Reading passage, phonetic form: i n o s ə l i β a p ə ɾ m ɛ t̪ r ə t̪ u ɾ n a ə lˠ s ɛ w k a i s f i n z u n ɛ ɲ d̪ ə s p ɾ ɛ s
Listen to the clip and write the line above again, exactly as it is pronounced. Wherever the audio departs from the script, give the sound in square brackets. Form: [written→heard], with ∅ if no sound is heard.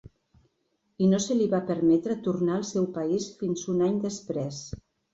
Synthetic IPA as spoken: i n o s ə l i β a p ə ɾ m ɛ t̪ [r→ɾ] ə t̪ u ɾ n a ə lˠ s ɛ w [k→p] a i s f i n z u n [ɛ→a] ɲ d̪ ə s p ɾ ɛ s